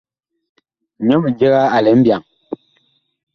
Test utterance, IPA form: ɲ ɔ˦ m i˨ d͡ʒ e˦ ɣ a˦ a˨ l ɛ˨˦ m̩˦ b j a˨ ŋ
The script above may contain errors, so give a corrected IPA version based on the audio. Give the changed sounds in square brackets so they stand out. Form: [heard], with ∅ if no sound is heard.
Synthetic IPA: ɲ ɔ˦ m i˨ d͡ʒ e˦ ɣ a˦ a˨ l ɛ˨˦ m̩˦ b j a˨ ŋ